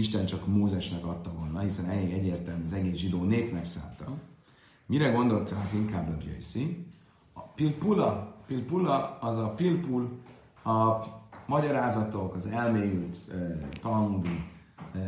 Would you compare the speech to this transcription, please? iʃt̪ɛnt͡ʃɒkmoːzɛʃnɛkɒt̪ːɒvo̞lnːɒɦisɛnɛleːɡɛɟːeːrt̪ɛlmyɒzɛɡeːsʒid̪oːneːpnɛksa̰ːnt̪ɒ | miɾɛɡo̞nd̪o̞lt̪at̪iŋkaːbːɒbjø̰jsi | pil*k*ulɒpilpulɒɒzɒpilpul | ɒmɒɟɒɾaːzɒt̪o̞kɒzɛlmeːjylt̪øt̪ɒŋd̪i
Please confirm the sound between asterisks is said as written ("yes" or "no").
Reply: no